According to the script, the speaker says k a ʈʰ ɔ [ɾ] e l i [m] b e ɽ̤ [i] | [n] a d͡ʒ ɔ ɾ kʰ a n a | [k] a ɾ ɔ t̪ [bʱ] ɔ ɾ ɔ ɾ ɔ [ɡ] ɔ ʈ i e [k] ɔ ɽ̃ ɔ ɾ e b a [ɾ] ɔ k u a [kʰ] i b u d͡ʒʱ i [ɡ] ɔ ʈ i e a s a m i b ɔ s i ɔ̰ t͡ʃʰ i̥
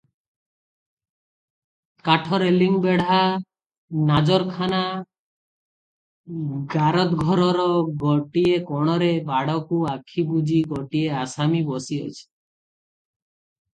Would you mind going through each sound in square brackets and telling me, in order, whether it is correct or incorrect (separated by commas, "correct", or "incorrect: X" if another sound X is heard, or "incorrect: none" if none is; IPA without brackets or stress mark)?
correct, incorrect: ŋ, incorrect: a, correct, incorrect: ɡ, incorrect: ɡʱ, correct, correct, incorrect: ɽ, correct, correct